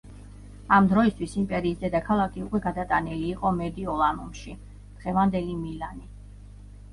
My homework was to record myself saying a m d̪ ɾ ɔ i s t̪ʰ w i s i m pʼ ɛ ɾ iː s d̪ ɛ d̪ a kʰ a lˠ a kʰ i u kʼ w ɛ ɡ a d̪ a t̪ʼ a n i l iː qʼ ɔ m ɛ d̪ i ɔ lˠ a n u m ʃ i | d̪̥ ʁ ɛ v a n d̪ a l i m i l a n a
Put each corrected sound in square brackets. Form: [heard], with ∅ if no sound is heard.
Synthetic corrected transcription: a m d̪ ɾ ɔ i s t̪ʰ w i s i m pʼ ɛ ɾ iː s d̪ ɛ d̪ a kʰ a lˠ a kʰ i u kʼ w ɛ ɡ a d̪ a t̪ʼ a n i l iː qʼ ɔ m ɛ d̪ i ɔ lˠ a n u m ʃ i | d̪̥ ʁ ɛ v a n d̪ [ɛ] l i m i l a n [i]